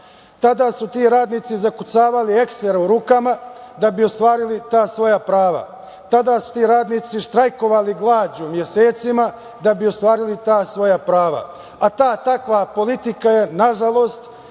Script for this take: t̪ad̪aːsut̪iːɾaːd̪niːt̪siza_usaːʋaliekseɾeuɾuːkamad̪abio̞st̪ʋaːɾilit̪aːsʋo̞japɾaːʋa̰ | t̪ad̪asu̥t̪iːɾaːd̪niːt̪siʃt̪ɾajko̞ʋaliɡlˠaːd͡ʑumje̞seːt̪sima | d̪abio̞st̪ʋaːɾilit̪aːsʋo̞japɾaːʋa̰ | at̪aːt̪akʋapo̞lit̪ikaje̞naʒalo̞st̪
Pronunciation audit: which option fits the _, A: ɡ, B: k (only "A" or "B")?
B